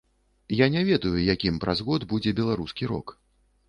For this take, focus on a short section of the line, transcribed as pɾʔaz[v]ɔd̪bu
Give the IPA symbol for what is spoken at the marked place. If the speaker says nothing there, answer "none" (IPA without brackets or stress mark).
ɣ